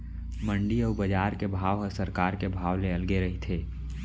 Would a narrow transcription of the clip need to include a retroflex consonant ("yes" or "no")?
yes